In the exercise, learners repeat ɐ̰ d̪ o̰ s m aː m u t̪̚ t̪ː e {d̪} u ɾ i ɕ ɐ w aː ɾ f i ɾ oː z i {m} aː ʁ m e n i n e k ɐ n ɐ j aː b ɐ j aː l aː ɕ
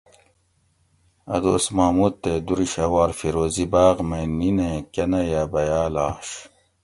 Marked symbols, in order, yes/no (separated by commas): yes, no